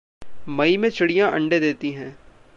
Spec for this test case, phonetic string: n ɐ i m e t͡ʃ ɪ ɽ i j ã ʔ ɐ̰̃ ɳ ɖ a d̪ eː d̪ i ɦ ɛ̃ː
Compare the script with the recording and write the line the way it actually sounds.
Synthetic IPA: m ɐ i m ẽ t͡ʃ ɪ ɽ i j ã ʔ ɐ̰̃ ɳ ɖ e d̪ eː t̪ i ɦ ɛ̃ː